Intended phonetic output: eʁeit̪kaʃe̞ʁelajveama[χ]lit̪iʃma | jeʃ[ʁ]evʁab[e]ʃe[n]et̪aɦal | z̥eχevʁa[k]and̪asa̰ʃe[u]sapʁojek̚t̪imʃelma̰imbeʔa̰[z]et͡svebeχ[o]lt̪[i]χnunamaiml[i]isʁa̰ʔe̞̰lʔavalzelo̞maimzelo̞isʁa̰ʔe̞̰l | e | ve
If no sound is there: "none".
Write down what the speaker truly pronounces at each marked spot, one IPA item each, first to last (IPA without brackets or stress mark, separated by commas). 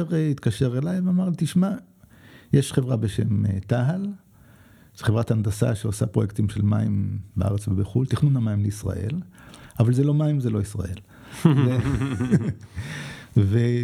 ʁ, χ, e, m, t, o, ʁ, u, i, e